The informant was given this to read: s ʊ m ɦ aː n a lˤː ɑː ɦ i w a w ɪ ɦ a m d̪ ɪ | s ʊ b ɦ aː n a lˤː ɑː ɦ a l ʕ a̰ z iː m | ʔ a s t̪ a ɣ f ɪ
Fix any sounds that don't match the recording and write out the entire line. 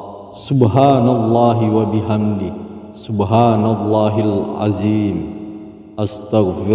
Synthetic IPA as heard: s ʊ b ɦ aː n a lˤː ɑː ɦ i w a b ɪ ɦ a m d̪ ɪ | s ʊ b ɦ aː n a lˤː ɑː ɦ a l ʕ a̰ z iː m | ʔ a s t̪ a ɣ f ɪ